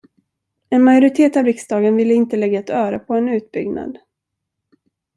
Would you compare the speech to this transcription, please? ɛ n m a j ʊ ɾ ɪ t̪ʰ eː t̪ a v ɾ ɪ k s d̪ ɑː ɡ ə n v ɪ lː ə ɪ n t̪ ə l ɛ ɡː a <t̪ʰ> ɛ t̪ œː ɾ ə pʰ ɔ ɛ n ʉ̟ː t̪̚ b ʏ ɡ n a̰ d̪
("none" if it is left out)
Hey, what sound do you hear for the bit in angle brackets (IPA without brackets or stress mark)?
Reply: none